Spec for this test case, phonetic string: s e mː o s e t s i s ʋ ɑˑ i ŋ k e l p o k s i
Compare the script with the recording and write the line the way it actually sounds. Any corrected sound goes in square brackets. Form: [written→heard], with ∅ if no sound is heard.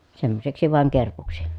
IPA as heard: s e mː o s e [t→k] s i [s→∅] ʋ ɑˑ [i→e] ŋ k e [l→r] p [o→u] k s i